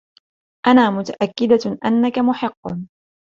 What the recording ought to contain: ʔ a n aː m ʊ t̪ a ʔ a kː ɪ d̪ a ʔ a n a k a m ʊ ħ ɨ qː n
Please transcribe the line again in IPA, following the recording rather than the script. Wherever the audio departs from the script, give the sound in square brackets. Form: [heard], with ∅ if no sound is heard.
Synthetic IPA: ʔ a n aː m ʊ t̪ a ʔ a kː ɪ d̪ a ʔ a [nː] a k a m ʊ ħ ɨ qː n